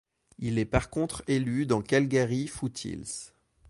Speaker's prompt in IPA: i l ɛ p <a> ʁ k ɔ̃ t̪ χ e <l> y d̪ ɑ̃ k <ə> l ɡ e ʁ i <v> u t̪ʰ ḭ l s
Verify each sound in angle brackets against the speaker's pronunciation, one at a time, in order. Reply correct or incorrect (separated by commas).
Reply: correct, correct, incorrect, incorrect